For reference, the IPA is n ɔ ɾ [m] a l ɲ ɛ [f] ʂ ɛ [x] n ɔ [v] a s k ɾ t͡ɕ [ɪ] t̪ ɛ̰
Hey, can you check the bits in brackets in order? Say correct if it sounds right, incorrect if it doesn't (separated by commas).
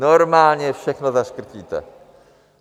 correct, correct, correct, incorrect, incorrect